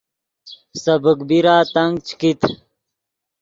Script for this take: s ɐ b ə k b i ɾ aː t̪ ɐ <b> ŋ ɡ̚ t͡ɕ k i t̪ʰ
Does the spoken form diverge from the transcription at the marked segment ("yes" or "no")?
yes